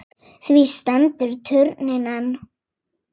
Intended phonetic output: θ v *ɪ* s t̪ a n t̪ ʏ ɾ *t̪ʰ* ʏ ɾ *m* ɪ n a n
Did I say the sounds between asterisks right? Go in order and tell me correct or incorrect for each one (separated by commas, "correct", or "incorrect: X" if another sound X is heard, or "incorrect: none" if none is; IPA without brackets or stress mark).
incorrect: i, correct, incorrect: n